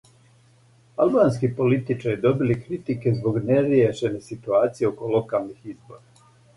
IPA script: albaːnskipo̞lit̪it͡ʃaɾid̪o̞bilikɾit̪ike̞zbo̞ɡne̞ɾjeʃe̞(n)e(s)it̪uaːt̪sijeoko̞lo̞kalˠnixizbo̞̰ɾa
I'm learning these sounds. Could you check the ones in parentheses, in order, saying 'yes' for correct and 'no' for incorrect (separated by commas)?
yes, yes